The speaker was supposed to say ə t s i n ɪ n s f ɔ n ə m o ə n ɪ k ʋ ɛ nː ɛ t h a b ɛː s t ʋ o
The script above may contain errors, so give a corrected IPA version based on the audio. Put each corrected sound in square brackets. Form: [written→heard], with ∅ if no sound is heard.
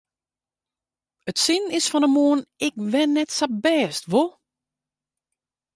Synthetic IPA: ə t s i n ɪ [n→∅] s f ɔ n ə m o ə n ɪ k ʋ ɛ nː ɛ t [h→s] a b ɛː s t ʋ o